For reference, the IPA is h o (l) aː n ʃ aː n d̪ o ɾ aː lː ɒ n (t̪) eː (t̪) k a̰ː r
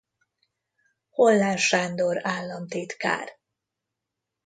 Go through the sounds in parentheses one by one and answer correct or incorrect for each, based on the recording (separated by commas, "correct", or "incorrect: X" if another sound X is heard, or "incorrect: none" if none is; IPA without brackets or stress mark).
incorrect: lː, correct, correct